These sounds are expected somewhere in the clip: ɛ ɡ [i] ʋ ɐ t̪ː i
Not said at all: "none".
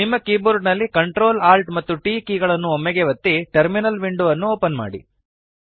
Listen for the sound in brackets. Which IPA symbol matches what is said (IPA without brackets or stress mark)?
e